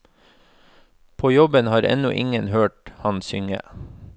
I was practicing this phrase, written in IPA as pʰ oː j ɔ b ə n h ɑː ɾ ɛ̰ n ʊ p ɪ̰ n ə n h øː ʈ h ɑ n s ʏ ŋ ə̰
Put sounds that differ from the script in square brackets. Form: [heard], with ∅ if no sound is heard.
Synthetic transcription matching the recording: pʰ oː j ɔ b ə n h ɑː ɾ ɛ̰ n ʊ [ʔ] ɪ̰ [ŋ] ə n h øː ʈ h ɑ n s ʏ ŋ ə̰